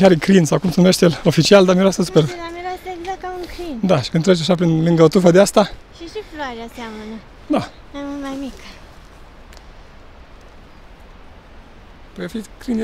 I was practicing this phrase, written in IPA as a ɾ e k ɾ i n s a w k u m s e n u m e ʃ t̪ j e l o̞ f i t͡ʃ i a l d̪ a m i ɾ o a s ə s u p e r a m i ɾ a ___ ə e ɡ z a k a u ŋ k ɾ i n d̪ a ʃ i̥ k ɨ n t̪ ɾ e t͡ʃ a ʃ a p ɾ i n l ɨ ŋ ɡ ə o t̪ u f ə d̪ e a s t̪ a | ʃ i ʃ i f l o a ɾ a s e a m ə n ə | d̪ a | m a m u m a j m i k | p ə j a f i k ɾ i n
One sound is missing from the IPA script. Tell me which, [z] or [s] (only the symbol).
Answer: s